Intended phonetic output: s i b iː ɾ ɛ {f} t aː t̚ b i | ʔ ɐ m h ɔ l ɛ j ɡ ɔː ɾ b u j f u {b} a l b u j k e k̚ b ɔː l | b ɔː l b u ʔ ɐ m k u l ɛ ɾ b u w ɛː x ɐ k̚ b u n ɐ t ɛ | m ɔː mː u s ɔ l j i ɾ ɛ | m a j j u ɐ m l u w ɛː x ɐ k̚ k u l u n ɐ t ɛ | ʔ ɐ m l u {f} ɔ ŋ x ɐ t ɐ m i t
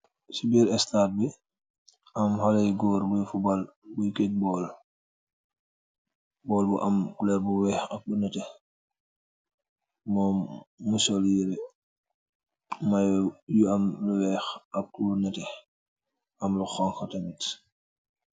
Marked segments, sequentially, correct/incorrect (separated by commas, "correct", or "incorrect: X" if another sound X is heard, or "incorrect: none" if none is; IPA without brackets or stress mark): incorrect: s, correct, incorrect: x